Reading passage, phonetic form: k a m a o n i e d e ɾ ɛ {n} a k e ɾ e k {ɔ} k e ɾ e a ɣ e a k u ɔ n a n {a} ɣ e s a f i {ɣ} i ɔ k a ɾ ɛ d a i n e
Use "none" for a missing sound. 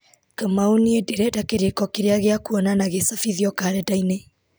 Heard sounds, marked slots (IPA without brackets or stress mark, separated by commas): d, ɔ, a, ð